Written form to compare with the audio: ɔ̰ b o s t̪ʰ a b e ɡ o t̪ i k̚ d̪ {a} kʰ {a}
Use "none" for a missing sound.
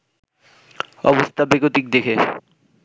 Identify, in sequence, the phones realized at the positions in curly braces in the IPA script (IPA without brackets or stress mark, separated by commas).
e, e